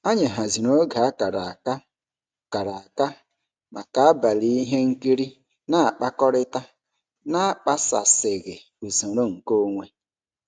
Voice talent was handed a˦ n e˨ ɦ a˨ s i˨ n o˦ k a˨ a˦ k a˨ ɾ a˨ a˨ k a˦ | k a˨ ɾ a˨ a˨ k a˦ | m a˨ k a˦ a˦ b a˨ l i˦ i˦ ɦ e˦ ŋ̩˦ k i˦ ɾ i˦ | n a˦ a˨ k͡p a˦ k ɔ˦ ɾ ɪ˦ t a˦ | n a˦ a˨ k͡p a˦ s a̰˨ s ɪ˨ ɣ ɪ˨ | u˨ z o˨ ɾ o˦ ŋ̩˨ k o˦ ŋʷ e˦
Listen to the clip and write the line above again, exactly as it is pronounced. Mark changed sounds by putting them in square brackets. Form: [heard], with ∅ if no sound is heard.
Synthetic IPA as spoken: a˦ [ɲ] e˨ ɦ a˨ [z] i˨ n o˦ [ɡ] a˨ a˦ k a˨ ɾ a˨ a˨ k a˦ | k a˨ ɾ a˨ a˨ k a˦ | m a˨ k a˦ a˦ b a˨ l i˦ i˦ ɦ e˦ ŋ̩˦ k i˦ ɾ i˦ | n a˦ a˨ k͡p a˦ k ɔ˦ ɾ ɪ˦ t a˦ | n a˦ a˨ k͡p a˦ s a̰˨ s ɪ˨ ɣ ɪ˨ | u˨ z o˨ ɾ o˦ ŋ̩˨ k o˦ ŋʷ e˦